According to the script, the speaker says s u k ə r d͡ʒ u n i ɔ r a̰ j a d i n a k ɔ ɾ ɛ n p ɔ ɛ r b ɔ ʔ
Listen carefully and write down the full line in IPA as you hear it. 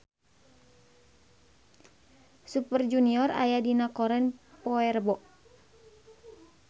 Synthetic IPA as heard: s u p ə r d͡ʒ u n i ɔ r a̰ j a d i n a k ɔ ɾ ɛ n p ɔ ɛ r b ɔ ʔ